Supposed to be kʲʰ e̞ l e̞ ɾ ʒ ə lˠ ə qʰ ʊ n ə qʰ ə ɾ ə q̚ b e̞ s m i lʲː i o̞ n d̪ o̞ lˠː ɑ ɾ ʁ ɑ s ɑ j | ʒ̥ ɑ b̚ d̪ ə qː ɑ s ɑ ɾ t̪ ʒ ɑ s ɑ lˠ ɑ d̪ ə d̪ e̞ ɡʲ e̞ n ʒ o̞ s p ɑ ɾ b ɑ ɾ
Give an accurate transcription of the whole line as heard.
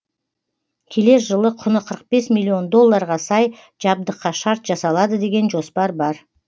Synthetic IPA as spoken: kʲʰ e̞ l e̞ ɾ ʒ ə lˠ ə qʰ ʊ n ə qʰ ə ɾ ə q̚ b e̞ s m i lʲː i o̞ n d̪ o̞ lˠː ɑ ɾ ʁ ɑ s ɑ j | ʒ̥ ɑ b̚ d̪ ə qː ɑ ʃ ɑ ɾ t̪ ʒ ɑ s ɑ lˠ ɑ d̪ ə d̪ e̞ ɡʲ e̞ n ʒ o̞ s p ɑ ɾ b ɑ ɾ